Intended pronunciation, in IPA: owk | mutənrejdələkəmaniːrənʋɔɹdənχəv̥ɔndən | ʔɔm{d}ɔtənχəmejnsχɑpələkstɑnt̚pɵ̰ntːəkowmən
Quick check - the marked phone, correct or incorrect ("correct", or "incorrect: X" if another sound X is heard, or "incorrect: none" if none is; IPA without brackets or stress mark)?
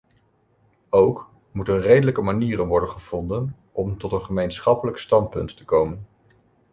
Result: incorrect: t